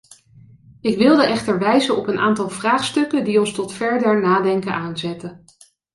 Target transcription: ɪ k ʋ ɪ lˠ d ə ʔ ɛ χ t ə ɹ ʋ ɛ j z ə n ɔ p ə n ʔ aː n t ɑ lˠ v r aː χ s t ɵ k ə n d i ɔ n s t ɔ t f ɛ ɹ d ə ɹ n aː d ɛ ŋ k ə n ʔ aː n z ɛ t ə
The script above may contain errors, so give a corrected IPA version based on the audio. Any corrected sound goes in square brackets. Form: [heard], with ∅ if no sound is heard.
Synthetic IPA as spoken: ɪ k ʋ ɪ lˠ d ə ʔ ɛ χ t ə ɹ ʋ ɛ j z ə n ɔ p ə n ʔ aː n t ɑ lˠ v r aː χ s t ɵ k ə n d i ɔ n s t ɔ t f ɛ ɹ d ə ɹ n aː d ɛ ŋ k ə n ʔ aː n z ɛ t ə

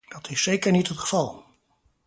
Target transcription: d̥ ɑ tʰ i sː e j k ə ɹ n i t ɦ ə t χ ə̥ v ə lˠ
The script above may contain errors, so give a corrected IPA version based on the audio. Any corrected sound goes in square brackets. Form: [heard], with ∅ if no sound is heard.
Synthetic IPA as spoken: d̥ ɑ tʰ [ɪ] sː e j k ə ɹ n i t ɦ ə t χ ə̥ v [ɑ] lˠ

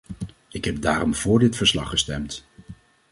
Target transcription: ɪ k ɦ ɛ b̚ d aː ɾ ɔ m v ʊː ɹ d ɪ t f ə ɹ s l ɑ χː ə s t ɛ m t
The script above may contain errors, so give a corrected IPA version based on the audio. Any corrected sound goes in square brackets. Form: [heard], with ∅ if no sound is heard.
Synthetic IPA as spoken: ɪ k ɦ ɛ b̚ d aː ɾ ɔ m v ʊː ɹ d ɪ t f ə ɹ s l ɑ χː ə s t ɛ m t

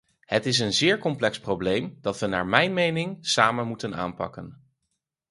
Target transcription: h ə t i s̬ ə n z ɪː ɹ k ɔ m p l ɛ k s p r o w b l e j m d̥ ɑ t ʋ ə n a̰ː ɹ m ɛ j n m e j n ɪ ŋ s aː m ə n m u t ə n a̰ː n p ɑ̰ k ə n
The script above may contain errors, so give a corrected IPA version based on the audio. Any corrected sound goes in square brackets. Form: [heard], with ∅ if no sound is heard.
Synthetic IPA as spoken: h ə t [ɪ] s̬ ə n z ɪː ɹ k ɔ m p l ɛ k s p r o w b l e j m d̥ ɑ t ʋ ə n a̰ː ɹ m ɛ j n m e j n ɪ ŋ s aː m ə n m u t ə n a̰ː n p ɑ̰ k ə n

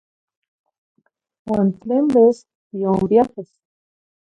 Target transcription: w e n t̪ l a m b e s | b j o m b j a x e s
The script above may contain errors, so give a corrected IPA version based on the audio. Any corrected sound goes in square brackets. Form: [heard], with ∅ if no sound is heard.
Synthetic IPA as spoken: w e n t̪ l [e] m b e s | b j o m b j a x e s

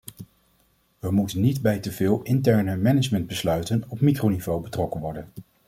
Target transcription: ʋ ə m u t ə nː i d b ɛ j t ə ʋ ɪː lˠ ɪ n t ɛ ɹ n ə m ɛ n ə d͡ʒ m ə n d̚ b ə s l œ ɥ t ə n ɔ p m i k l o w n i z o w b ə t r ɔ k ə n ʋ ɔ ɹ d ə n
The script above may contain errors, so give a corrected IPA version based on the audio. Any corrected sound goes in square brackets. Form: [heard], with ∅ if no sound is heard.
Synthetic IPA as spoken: ʋ ə m u t ə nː i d b ɛ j t ə [v] ɪː lˠ ɪ n t ɛ ɹ n ə m ɛ n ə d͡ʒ m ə n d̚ b ə s l œ ɥ t ə n ɔ p m i k [r] o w n i [v] o w b ə t r ɔ k ə n ʋ ɔ ɹ d ə n

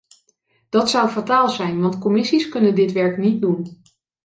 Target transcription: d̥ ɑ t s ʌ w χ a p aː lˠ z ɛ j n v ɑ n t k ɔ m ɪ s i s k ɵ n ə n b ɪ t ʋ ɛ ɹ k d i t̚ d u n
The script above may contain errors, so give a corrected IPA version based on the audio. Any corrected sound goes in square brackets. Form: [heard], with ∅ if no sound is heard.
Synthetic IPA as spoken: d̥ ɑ t s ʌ w [f] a [t] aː lˠ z ɛ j n [ʋ] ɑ n t k ɔ m ɪ s i s k ɵ n ə n [d] ɪ t ʋ ɛ ɹ k [n] i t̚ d u n

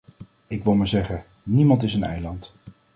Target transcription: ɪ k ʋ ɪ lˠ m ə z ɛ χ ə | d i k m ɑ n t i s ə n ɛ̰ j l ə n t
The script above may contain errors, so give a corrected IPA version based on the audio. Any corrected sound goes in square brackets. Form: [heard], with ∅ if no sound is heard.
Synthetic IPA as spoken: ɪ k ʋ ɪ lˠ m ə z ɛ χ ə | [n] i [∅] m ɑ n t [ɪ] s ə n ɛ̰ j l [ɑ] n t

